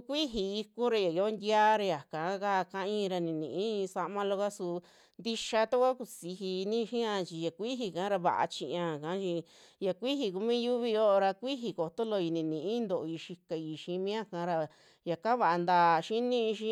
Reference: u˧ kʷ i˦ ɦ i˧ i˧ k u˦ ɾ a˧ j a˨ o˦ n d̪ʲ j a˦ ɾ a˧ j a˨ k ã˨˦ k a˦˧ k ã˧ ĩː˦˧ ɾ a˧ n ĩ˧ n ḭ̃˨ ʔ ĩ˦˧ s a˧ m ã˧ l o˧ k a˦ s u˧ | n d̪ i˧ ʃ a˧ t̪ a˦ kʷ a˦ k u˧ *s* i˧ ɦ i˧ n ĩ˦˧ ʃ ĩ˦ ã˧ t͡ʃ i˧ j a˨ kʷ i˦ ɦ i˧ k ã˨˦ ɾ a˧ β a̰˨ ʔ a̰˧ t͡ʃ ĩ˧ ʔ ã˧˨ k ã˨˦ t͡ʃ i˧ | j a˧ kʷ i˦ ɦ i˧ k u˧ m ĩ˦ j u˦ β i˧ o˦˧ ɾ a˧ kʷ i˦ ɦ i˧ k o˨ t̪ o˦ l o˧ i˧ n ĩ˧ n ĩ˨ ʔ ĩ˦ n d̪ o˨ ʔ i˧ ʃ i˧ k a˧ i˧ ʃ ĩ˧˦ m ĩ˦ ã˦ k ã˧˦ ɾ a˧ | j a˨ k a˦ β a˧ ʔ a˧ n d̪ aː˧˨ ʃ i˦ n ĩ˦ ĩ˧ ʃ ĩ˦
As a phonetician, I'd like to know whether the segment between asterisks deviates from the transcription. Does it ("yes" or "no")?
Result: no